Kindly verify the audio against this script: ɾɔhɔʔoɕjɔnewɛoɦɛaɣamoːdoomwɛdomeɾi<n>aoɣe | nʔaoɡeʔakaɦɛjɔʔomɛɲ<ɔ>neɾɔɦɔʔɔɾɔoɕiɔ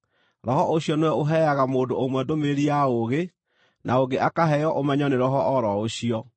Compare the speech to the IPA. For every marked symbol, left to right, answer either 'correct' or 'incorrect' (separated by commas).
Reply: incorrect, correct